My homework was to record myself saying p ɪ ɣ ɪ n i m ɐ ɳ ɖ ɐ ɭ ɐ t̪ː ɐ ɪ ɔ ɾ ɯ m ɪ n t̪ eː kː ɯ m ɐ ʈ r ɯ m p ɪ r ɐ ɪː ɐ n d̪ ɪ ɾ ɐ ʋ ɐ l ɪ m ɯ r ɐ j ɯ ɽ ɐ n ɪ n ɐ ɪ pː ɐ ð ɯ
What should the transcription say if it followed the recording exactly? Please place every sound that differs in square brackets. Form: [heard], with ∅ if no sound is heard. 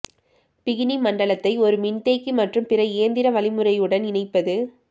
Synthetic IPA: p ɪ ɣ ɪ n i m ɐ ɳ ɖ ɐ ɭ ɐ t̪ː ɐ ɪ ɔ ɾ ɯ m ɪ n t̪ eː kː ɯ m ɐ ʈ r ɯ m p ɪ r ɐ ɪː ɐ n d̪ ɪ ɾ ɐ ʋ ɐ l ɪ m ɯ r ɐ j ɯ ɽ ɐ n ɪ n ɐ ɪ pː ɐ ð ɯ